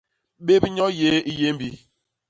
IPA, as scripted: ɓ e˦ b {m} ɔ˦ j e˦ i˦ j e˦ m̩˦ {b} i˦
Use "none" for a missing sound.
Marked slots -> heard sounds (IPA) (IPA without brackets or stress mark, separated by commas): ɲ, b